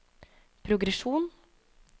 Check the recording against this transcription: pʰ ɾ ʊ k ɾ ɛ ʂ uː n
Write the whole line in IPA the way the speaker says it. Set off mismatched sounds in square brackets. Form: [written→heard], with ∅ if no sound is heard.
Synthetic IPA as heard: pʰ ɾ ʊ [k→ɡ] ɾ ɛ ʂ uː n

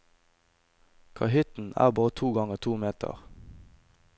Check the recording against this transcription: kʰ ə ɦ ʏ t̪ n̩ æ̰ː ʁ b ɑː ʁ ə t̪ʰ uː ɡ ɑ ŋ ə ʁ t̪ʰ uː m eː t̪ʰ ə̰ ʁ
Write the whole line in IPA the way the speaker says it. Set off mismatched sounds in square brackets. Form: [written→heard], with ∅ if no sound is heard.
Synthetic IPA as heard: kʰ [ə→ɑ] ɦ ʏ t̪ n̩ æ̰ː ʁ b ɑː ʁ ə t̪ʰ uː ɡ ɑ ŋ ə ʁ t̪ʰ uː m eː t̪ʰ ə̰ ʁ

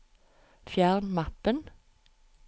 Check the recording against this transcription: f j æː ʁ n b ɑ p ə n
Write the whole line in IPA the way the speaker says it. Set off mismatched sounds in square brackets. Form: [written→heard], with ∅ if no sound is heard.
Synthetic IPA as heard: f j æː ʁ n [b→m] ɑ p ə n

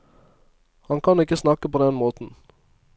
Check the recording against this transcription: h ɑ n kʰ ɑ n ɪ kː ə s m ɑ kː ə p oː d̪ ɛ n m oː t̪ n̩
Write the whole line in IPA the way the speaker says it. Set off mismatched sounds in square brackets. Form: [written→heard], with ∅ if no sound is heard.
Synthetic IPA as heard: h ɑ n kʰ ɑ n ɪ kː ə s [m→n] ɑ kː ə p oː d̪ ɛ n m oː t̪ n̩

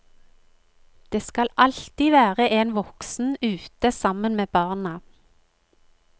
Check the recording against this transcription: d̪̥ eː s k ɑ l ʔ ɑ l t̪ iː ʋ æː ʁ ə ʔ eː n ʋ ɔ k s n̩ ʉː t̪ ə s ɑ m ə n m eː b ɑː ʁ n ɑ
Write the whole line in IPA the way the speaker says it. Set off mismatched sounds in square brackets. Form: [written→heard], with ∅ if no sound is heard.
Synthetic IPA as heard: d̪̥ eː s k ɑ l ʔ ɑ l t̪ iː ʋ æː ʁ ə ʔ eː n ʋ ɔ k s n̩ ʉː t̪ ə s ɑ m ə n m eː b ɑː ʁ n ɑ

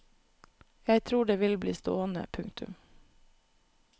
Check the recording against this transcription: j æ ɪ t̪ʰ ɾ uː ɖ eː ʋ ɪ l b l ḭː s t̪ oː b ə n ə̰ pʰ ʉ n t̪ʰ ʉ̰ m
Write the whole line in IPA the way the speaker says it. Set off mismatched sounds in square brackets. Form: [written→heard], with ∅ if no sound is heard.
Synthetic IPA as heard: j æ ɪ t̪ʰ ɾ uː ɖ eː ʋ ɪ l b l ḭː s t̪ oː [b→∅] ə n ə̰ pʰ ʉ [n→ŋ] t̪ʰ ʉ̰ m

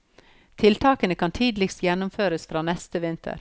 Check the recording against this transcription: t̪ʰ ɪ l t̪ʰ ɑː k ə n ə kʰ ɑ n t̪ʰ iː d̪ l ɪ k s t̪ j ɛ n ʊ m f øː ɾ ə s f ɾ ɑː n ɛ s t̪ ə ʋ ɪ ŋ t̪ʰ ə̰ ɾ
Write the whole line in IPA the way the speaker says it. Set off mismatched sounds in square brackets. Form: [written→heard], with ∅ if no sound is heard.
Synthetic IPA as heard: t̪ʰ ɪ l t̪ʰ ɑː k ə n ə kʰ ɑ n t̪ʰ iː d̪ l ɪ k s t̪ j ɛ n ʊ m f øː ɾ ə s f ɾ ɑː n ɛ s t̪ ə ʋ ɪ [ŋ→n] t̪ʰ ə̰ ɾ

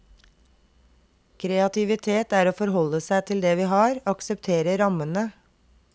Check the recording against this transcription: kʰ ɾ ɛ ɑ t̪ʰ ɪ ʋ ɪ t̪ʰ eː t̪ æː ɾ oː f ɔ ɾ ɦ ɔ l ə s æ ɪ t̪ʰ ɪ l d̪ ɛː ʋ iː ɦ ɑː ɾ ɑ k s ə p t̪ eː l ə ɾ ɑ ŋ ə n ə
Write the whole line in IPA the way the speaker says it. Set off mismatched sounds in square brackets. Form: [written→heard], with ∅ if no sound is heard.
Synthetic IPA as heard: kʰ ɾ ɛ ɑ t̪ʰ ɪ ʋ ɪ t̪ʰ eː t̪ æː ɾ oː f ɔ ɾ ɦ ɔ l ə s æ ɪ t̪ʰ ɪ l d̪ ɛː ʋ iː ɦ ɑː ɾ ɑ k s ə p [t̪→t̪ʰ] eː [l→ɾ] ə ɾ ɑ [ŋ→m] ə n ə

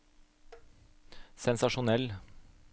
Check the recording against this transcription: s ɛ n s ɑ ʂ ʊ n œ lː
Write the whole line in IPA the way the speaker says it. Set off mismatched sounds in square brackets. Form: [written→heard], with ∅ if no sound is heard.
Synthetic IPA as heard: s ɛ n s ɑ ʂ ʊ n [œ→ɛ] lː

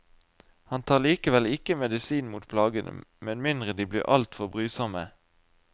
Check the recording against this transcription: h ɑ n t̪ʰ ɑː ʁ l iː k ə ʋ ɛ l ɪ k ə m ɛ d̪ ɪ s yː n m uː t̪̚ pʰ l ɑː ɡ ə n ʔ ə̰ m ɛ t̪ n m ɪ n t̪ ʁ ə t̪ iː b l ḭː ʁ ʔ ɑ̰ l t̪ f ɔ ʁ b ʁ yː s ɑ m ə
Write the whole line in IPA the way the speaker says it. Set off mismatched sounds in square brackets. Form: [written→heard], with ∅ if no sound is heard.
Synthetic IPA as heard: h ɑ n t̪ʰ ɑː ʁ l iː k ə ʋ ɛ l ɪ k ə m ɛ d̪ ɪ s [yː→iː] n m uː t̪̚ pʰ l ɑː ɡ ə n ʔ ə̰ m ɛ [t̪→∅] n m ɪ n [t̪→d̪] ʁ ə [t̪→d̪] iː b l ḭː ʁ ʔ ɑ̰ l t̪ f ɔ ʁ b ʁ yː s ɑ m ə

